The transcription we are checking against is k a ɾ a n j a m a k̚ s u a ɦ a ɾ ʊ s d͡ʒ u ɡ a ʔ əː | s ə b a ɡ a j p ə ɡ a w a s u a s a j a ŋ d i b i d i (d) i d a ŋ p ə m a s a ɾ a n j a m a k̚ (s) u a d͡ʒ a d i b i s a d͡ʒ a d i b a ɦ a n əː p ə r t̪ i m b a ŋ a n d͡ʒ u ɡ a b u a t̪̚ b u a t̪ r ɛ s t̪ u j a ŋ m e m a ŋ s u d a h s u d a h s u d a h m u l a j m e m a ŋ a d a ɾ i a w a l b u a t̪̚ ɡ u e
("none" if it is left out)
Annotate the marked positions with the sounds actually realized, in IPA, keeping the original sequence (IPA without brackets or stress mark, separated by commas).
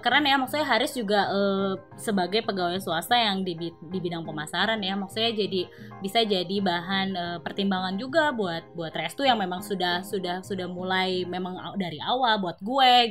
b, s